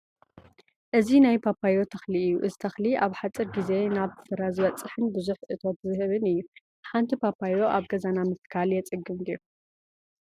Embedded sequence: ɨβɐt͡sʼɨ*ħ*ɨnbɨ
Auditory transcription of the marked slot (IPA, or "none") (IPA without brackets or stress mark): ħ